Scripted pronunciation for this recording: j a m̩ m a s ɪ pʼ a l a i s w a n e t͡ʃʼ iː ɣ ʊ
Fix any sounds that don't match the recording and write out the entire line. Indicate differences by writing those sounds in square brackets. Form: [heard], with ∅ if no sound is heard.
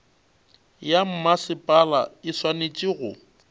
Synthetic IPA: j a m̩ m a s ɪ pʼ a l a [ɪ] s w a n e t͡ʃʼ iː ɣ ʊ